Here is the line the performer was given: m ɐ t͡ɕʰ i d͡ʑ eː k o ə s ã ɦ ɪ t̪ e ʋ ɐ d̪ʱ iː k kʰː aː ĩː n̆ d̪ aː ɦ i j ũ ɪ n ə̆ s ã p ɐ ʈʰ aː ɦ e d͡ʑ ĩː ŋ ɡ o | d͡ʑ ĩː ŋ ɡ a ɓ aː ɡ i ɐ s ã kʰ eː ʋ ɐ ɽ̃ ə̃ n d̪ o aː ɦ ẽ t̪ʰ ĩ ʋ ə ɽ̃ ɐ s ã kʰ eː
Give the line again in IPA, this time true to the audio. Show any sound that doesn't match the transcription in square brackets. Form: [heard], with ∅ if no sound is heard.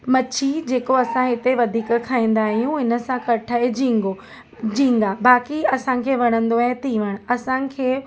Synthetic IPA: m ɐ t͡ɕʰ i d͡ʑ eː k o [ɐ] s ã ɦ ɪ t̪ e ʋ ɐ d̪ʱ iː k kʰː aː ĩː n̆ d̪ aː ɦ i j ũ ɪ n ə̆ s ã [k] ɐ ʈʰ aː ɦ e d͡ʑ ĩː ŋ ɡ o | d͡ʑ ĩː ŋ ɡ a [b] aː [k] i ɐ s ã kʰ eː ʋ ɐ ɽ̃ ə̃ n d̪ o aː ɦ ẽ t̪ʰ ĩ ʋ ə ɽ̃ ɐ s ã kʰ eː

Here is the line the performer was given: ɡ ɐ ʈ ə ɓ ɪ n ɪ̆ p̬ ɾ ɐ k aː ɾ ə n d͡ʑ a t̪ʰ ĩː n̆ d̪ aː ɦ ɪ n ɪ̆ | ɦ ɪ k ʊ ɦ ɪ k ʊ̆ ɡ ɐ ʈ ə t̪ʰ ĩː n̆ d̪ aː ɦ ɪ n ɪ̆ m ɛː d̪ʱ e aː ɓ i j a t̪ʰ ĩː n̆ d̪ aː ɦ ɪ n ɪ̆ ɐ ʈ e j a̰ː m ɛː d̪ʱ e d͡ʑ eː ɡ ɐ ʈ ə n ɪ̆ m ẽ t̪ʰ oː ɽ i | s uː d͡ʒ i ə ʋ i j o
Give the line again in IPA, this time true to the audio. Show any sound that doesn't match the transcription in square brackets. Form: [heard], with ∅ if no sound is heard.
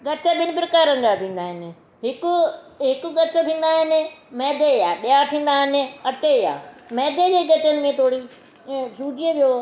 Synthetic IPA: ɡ ɐ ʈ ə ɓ ɪ n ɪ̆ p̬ ɾ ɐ k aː ɾ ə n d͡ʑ a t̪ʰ ĩː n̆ d̪ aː ɦ ɪ n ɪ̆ | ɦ ɪ k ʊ ɦ ɪ k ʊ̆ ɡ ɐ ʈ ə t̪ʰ ĩː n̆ d̪ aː ɦ ɪ n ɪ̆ m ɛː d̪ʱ e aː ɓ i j a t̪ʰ ĩː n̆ d̪ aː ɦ ɪ n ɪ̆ ɐ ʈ e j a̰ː m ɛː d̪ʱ e d͡ʑ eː ɡ ɐ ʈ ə n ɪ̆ m ẽ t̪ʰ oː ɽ i | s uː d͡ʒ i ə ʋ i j o

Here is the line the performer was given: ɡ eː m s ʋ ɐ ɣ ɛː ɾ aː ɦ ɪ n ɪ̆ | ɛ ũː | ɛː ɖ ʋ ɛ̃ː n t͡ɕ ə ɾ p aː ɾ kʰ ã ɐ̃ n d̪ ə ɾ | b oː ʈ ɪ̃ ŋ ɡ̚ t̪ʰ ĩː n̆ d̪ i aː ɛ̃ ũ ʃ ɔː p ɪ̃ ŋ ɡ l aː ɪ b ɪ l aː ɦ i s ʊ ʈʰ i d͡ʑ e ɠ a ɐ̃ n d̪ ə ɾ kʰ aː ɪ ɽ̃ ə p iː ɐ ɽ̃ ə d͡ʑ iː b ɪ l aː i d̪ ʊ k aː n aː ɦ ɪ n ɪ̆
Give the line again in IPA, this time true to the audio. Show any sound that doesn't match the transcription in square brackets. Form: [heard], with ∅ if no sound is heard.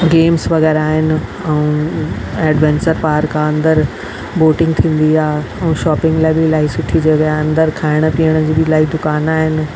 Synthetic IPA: ɡ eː m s ʋ ɐ ɣ ɛː ɾ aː ɦ ɪ n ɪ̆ | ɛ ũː | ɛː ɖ ʋ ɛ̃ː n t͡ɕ ə ɾ p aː ɾ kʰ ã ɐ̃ n d̪ ə ɾ | b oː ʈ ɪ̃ ŋ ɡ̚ t̪ʰ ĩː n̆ d̪ i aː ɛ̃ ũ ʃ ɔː p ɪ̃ ŋ ɡ l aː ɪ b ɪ l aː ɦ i s ʊ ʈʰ i d͡ʑ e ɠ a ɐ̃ n d̪ ə ɾ kʰ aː ɪ ɽ̃ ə p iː [ə] ɽ̃ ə d͡ʑ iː b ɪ l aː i d̪ ʊ k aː n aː ɦ ɪ n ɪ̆

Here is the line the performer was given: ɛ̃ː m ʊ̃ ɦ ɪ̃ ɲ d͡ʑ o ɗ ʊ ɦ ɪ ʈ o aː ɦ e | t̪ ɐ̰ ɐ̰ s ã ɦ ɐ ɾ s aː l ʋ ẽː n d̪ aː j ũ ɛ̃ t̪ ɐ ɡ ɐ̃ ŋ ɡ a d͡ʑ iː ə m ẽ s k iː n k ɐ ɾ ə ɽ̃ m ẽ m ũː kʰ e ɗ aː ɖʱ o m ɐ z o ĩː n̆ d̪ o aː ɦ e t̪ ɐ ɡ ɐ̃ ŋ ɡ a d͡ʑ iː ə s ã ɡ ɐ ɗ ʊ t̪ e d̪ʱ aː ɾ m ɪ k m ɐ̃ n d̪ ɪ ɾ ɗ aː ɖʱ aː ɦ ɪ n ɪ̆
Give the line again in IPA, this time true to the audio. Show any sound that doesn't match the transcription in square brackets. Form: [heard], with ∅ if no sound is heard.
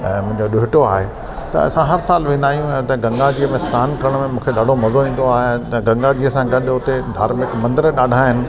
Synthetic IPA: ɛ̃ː m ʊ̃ ɦ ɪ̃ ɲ d͡ʑ o ɗ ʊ ɦ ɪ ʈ o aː ɦ e | t̪ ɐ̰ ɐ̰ s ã ɦ ɐ ɾ s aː l ʋ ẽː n d̪ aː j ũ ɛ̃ t̪ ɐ ɡ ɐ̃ ŋ ɡ a d͡ʑ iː ə m ẽ s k [aː] n k ɐ ɾ ə ɽ̃ m ẽ m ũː kʰ e ɗ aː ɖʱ o m ɐ z o ĩː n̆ d̪ o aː ɦ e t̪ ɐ ɡ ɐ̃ ŋ ɡ a d͡ʑ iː ə s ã ɡ ɐ ɗ ʊ t̪ e d̪ʱ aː ɾ m ɪ k m ɐ̃ n d̪ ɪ ɾ ɗ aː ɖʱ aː ɦ ɪ n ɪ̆

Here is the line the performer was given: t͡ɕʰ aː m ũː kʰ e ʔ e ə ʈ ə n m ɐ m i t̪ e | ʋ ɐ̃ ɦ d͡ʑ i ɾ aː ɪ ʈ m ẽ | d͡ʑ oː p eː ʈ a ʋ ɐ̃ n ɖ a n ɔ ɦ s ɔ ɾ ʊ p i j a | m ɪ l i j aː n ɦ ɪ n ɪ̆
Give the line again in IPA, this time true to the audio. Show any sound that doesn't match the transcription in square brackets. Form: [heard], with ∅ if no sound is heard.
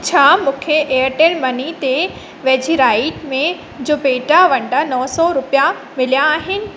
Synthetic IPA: t͡ɕʰ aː m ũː kʰ e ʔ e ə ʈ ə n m ɐ [n] i t̪ e | ʋ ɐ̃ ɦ d͡ʑ i ɾ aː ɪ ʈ m ẽ | d͡ʑ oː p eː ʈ a ʋ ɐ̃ [ɳ] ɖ a n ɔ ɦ s ɔ ɾ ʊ p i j a | m ɪ l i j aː [∅] ɦ ɪ n ɪ̆

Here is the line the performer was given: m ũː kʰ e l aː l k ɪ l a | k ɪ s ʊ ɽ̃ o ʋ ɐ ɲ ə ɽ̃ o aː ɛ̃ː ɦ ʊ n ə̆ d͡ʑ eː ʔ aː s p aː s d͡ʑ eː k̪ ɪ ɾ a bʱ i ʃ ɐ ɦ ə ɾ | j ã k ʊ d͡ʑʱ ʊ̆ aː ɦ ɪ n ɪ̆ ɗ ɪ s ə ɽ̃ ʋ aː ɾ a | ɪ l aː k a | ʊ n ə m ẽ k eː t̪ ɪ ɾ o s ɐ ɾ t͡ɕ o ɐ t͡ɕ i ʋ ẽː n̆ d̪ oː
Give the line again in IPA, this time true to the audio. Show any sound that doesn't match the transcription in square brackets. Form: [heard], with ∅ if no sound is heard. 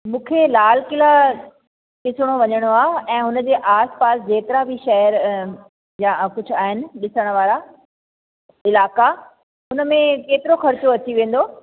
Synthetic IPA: m ũː kʰ e l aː l k ɪ l a | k ɪ s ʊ ɽ̃ o ʋ ɐ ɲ ə ɽ̃ o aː ɛ̃ː ɦ ʊ n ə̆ d͡ʑ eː ʔ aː s p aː s d͡ʑ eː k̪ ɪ ɾ a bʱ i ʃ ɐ ɦ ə ɾ | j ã k ʊ d͡ʑʱ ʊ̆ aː ɦ ɪ n ɪ̆ ɗ ɪ s ə ɽ̃ ʋ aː ɾ a | ɪ l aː k a | ʊ n ə m ẽ k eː t̪ ɪ ɾ o [x] ɐ ɾ t͡ɕ o ɐ t͡ɕ i ʋ ẽː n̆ d̪ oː

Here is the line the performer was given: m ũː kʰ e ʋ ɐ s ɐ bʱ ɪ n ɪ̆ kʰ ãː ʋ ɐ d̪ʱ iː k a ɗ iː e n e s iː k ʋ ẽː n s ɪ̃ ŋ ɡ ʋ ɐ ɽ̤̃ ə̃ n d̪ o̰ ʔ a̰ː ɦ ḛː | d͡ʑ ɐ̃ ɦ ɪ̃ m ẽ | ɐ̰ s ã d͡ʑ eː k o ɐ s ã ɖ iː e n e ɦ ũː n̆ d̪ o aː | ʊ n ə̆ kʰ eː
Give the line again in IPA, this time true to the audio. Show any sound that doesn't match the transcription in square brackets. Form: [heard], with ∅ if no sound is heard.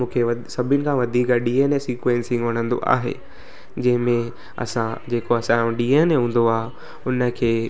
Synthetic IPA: m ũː kʰ e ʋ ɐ s ɐ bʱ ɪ n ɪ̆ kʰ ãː ʋ ɐ d̪ʱ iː k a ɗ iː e n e s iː k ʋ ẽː n s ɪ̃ ŋ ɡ ʋ ɐ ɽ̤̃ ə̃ n d̪ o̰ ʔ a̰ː ɦ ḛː | d͡ʑ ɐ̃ ɦ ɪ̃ m ẽ | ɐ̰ s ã d͡ʑ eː k o ɐ s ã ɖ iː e n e ɦ ũː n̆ d̪ o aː | ʊ n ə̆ kʰ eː

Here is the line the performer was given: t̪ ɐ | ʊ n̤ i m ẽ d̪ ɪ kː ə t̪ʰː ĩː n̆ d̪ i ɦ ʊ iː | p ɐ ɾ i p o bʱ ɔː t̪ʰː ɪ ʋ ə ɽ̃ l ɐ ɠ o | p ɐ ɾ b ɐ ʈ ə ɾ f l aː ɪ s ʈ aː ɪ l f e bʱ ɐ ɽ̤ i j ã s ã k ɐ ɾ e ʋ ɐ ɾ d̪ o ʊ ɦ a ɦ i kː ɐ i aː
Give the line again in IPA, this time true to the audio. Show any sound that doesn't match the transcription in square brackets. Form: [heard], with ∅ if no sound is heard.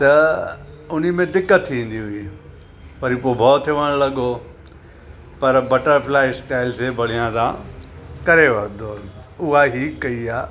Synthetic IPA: t̪ ɐ | ʊ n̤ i m ẽ d̪ ɪ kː ə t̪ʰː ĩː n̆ d̪ i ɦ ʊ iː | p ɐ ɾ i p o bʱ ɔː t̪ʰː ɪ ʋ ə ɽ̃ l ɐ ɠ o | p ɐ ɾ b ɐ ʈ ə ɾ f l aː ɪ s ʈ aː ɪ l [s] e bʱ ɐ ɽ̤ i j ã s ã k ɐ ɾ e ʋ ɐ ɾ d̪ o ʊ ɦ a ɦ i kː ɐ i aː

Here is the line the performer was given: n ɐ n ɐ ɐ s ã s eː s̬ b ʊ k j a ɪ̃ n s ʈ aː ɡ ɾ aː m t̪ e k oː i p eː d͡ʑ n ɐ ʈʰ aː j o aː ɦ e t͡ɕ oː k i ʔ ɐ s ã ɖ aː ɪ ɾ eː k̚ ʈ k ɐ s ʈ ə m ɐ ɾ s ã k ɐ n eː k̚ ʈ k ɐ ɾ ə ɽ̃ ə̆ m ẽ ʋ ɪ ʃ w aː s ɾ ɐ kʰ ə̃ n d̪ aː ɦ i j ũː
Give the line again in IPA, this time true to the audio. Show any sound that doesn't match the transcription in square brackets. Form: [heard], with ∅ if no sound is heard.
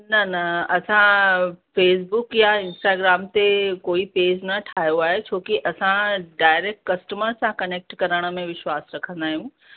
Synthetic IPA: n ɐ n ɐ ɐ s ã [f] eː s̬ b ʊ k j a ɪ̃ n s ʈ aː ɡ ɾ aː m t̪ e k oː i p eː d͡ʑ n ɐ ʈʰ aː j o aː ɦ e [t͡ɕʰ] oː k i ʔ ɐ s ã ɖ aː ɪ ɾ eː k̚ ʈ k ɐ s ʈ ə m [ə] ɾ s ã k ɐ n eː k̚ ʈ k ɐ ɾ ə ɽ̃ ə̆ m ẽ ʋ ɪ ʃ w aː s ɾ ɐ kʰ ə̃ n d̪ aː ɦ i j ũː

